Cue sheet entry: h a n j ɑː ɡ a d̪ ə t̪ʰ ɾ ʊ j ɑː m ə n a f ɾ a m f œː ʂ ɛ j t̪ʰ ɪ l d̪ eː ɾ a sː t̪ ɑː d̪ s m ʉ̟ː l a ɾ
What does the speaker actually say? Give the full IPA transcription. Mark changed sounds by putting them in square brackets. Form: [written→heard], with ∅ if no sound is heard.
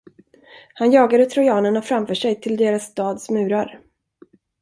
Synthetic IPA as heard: h a n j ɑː ɡ a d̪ ə t̪ʰ ɾ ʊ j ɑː [m→n] ə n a f ɾ a m f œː ʂ ɛ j t̪ʰ ɪ l d̪ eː ɾ a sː t̪ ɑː d̪ s m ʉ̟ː [l→ɾ] a ɾ